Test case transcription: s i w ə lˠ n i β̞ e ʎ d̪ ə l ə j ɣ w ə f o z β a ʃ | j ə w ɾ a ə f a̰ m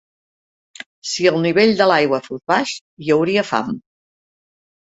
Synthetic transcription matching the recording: s i ə lˠ n i β̞ e ʎ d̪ ə l a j ɣ w ə f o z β a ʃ | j ə w ɾ i ə f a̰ m